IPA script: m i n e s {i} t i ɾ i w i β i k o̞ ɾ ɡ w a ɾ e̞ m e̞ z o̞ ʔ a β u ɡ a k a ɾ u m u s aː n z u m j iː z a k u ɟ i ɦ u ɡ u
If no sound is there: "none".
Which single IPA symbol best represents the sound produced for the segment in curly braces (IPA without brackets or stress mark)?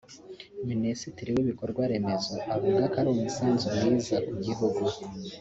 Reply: i